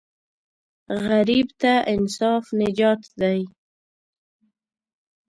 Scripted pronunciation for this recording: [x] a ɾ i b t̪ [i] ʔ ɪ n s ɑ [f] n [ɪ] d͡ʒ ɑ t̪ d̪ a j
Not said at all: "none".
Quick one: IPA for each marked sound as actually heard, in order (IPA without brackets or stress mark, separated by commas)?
ɣ, a, f, ɪ